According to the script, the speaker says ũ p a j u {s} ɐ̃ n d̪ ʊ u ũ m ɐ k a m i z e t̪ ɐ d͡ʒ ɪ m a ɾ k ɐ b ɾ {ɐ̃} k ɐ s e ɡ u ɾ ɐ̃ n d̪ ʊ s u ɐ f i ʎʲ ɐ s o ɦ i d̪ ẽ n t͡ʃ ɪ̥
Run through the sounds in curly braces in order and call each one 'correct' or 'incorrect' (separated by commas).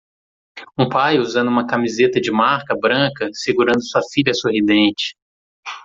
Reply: incorrect, correct